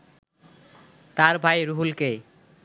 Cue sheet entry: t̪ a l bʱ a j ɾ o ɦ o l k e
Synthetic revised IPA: t̪ a ɾ bʱ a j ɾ u ɦ u l k e